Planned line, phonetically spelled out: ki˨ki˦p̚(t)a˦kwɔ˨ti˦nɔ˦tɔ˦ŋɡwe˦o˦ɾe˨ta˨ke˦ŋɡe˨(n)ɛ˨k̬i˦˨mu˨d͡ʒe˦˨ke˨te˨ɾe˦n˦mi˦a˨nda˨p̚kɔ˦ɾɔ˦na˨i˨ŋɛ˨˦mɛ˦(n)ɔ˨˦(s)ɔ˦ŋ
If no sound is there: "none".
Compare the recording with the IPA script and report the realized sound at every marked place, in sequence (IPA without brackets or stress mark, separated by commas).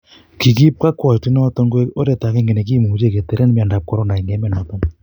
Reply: k, n, n, t